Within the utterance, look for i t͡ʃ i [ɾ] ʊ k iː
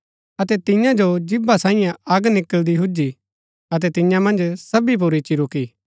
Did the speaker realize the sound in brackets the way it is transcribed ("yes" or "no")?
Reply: yes